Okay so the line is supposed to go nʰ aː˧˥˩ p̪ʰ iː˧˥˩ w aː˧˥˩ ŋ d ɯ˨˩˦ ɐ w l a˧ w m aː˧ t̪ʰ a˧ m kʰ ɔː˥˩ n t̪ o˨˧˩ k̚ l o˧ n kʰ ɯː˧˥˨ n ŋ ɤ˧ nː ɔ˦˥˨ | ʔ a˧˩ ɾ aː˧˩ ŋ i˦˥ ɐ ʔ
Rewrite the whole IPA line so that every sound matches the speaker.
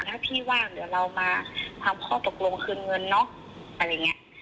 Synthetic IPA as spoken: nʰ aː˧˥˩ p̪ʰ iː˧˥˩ w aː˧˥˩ ŋ d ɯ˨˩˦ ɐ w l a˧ w m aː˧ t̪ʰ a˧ m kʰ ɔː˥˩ t̪ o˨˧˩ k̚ l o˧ ŋ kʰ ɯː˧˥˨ n ŋ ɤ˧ nː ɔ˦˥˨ | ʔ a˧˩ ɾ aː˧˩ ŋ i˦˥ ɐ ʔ